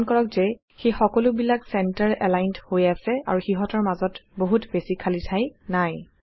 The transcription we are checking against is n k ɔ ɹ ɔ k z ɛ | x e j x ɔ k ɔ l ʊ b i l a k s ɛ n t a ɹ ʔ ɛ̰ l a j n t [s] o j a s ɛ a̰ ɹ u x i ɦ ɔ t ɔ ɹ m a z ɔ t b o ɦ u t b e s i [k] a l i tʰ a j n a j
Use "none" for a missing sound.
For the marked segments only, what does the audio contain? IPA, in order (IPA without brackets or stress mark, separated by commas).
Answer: h, kʰ